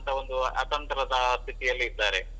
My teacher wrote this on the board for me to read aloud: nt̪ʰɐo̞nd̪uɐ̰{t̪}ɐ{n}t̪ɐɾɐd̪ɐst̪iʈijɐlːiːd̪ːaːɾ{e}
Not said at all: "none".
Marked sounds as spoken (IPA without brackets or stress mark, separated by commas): t̪, n, e